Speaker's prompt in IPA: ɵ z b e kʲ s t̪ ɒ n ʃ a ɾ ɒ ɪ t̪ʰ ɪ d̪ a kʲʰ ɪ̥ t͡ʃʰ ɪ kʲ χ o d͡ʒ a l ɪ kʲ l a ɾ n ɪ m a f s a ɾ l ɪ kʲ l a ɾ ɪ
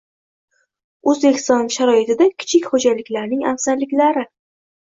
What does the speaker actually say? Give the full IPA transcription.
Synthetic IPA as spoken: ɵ z b e kʲ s t̪ ɒ n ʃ a ɾ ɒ ɪ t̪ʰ ɪ d̪ a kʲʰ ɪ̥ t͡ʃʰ ɪ kʲ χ o d͡ʒ a l ɪ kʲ l a ɾ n ɪ ŋ a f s a ɾ l ɪ kʲ l a ɾ ɪ